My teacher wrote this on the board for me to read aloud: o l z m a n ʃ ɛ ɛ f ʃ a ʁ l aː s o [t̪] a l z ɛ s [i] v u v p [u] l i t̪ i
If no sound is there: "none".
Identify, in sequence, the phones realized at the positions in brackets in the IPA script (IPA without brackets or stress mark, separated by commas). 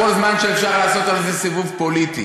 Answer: t̪, i, o